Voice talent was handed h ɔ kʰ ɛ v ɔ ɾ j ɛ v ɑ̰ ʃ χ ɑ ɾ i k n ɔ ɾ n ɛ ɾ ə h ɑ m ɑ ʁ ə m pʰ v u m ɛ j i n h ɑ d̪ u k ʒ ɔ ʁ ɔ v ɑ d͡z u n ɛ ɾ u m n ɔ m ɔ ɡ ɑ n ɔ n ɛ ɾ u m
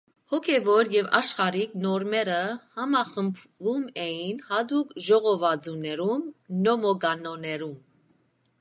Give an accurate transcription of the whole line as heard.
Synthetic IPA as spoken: h ɔ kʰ ɛ v ɔ ɾ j ɛ v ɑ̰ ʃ χ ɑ ɾ i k n ɔ ɾ m ɛ ɾ ə h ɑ m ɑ χ ə m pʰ v u m ɛ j i n h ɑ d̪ u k ʒ ɔ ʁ ɔ v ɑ d͡z u n ɛ ɾ u m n ɔ m ɔ ɡ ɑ n ɔ n ɛ ɾ u m